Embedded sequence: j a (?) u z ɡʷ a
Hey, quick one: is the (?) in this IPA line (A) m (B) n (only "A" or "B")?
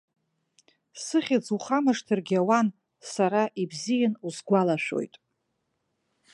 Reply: B